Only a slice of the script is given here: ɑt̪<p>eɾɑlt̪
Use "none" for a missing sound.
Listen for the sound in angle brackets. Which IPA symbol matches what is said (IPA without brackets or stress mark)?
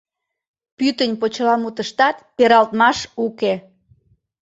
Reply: p